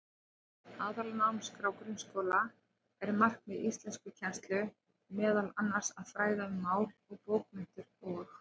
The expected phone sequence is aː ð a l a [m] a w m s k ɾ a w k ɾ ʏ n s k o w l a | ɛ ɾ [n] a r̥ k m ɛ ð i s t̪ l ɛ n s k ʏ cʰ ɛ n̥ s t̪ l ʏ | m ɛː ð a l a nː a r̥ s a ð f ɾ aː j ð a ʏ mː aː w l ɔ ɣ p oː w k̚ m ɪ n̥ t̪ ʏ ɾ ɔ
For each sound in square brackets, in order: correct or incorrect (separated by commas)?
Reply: incorrect, incorrect